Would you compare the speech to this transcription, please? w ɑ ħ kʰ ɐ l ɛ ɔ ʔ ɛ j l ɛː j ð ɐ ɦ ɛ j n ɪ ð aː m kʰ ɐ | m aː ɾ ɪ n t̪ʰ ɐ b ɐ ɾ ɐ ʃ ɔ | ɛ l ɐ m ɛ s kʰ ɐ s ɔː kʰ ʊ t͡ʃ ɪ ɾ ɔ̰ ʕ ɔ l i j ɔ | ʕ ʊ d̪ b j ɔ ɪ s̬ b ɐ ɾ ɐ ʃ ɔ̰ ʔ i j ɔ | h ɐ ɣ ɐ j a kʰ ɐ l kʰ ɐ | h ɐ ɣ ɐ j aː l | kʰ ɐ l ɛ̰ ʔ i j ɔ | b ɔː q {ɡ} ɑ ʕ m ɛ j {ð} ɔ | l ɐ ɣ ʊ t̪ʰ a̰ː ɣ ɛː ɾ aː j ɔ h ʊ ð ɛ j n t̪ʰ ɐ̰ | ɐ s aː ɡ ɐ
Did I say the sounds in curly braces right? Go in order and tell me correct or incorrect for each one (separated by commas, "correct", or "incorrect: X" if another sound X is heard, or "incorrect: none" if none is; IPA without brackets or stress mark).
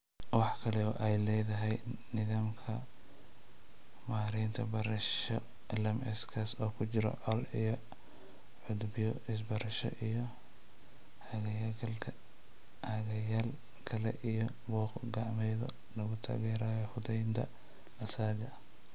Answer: correct, correct